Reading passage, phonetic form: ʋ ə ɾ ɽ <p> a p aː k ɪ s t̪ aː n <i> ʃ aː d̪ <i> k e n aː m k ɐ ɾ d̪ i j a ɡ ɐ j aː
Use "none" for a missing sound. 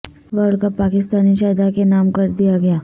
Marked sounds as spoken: k, i, a

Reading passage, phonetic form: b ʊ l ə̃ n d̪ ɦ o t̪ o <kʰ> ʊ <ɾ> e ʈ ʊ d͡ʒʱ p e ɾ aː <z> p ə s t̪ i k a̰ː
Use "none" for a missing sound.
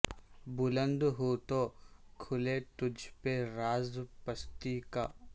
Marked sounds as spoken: kʰ, l, z

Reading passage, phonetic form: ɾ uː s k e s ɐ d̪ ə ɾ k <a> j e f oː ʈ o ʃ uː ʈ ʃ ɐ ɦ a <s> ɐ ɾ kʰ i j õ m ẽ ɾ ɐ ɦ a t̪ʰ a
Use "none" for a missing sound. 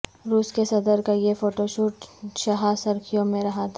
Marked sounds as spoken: a, s

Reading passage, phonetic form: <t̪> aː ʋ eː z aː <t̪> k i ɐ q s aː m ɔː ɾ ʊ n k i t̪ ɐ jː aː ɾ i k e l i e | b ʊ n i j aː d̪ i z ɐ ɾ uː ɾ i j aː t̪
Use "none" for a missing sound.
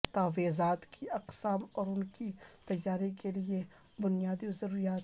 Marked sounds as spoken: t̪, t̪

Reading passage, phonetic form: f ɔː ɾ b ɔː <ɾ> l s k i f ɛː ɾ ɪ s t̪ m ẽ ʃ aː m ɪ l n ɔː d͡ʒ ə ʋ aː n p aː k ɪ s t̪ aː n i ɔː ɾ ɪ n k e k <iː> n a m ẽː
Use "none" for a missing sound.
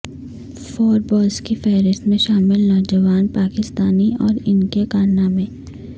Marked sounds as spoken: none, aː

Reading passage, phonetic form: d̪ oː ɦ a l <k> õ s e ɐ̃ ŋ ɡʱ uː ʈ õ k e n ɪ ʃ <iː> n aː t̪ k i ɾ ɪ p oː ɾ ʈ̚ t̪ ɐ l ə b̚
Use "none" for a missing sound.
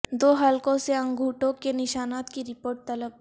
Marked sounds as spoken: k, aː

